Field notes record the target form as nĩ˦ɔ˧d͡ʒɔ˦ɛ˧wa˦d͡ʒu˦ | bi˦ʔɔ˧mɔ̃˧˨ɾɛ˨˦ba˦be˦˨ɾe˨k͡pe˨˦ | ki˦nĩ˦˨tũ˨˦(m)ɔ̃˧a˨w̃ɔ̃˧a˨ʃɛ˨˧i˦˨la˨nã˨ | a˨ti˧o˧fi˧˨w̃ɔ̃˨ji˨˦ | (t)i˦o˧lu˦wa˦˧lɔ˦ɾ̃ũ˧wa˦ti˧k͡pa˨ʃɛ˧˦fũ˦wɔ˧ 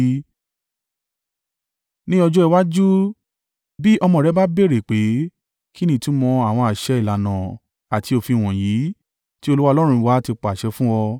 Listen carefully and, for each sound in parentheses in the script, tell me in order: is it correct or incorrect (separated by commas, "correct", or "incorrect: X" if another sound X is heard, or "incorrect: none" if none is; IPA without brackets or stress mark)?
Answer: correct, correct